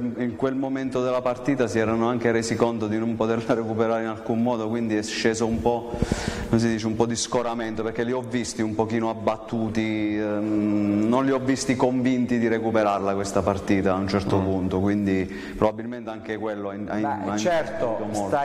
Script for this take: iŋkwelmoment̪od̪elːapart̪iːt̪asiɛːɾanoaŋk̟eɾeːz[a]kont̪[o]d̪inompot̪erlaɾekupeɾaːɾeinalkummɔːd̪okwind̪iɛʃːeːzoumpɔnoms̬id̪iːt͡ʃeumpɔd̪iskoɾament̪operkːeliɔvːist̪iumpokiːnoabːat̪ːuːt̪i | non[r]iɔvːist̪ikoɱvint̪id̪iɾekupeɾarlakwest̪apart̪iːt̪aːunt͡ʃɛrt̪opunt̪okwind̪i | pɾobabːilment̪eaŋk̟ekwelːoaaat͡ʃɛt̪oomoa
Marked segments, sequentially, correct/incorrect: incorrect, correct, incorrect

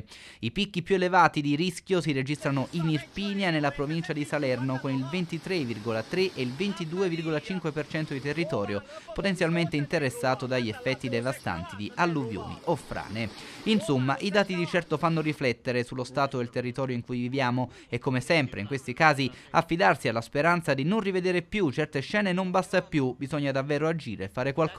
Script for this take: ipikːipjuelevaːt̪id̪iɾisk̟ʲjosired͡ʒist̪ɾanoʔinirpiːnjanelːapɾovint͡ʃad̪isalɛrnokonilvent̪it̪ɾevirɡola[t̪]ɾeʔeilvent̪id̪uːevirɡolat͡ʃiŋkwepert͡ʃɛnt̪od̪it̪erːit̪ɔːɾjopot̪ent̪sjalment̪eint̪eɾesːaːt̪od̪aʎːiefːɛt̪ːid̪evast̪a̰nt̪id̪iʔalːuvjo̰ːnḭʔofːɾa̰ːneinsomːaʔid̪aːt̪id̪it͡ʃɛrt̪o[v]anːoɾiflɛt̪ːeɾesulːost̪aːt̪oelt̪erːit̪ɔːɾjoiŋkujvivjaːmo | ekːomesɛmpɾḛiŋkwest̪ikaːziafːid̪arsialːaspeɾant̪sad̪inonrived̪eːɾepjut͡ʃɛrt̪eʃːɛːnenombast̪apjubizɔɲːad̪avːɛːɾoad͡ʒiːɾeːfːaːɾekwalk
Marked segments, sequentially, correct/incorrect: correct, incorrect

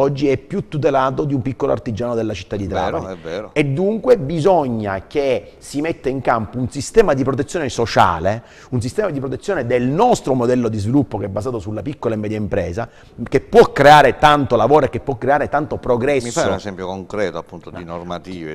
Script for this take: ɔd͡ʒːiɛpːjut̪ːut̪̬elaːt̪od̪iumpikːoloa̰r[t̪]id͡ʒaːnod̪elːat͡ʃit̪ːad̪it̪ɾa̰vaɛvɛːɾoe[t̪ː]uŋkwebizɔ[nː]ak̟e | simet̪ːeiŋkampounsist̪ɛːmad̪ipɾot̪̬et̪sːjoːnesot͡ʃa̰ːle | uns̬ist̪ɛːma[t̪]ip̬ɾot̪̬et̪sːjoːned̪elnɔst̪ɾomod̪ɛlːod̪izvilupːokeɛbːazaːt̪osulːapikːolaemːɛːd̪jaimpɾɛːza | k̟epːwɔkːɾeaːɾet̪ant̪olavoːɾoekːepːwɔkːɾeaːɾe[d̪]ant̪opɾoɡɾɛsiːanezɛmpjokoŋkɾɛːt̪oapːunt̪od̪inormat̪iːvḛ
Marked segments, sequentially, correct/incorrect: correct, incorrect, incorrect, incorrect, incorrect

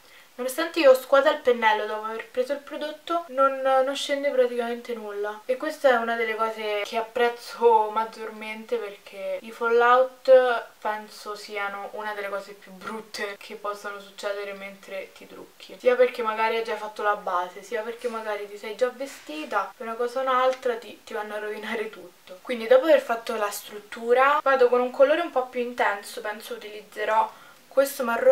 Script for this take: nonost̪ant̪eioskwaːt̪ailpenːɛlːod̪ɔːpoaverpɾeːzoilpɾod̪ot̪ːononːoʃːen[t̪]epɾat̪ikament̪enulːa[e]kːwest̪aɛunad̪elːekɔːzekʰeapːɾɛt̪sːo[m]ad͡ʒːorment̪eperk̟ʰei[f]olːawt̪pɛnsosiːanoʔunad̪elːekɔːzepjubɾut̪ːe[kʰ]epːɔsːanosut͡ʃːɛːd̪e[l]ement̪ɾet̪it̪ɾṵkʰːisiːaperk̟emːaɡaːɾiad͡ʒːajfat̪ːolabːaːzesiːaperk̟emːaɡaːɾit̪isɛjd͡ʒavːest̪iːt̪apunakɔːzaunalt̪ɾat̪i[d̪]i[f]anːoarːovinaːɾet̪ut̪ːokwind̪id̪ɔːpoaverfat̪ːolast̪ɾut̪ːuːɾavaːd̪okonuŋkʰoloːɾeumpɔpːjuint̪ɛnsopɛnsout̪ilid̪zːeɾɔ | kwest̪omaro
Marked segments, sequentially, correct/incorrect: incorrect, correct, correct, correct, correct, incorrect, incorrect, incorrect

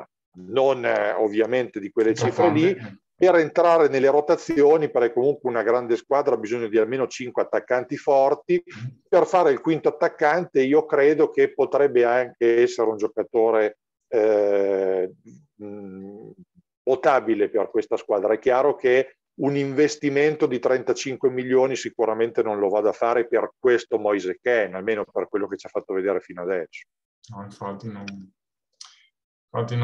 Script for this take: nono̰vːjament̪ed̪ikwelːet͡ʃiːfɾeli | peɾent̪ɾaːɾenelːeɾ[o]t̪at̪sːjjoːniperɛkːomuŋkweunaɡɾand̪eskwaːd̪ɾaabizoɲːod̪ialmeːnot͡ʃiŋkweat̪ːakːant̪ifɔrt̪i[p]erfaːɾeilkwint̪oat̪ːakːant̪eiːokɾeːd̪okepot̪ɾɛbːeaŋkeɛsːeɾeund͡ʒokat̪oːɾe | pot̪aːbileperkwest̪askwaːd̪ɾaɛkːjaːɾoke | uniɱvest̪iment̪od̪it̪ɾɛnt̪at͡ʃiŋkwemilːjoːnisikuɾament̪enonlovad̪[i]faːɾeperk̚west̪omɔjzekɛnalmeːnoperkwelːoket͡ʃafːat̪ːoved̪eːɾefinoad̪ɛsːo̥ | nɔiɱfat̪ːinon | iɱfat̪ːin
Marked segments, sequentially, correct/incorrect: correct, correct, incorrect

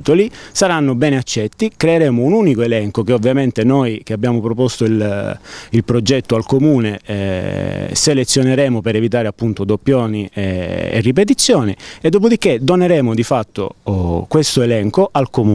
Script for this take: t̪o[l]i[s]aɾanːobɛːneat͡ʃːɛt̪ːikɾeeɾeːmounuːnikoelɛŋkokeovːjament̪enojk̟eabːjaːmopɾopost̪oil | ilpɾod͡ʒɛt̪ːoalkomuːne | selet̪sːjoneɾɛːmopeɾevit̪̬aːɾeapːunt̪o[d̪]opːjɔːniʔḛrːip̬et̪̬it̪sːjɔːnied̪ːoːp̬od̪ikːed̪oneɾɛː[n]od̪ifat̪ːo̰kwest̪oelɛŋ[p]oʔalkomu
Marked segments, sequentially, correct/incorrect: correct, correct, correct, incorrect, incorrect

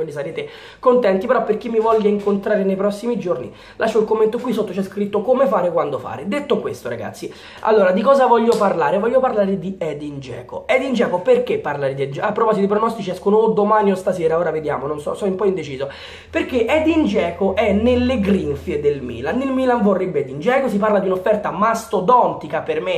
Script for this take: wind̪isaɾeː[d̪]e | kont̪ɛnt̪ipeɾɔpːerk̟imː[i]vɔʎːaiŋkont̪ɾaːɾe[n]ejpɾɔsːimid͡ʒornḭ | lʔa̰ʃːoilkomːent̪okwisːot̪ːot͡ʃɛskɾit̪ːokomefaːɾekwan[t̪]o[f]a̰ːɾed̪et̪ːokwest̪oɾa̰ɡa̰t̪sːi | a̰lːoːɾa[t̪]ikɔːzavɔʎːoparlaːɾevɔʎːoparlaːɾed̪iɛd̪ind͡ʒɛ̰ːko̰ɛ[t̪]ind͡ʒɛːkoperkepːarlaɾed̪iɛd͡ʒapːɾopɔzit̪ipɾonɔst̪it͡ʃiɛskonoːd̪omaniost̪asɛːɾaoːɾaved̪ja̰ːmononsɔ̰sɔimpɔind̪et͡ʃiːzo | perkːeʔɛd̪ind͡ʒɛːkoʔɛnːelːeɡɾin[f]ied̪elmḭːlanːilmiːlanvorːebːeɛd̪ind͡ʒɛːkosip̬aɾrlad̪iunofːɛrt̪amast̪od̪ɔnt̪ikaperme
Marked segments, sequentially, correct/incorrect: incorrect, correct, correct, incorrect, correct, incorrect, incorrect, correct

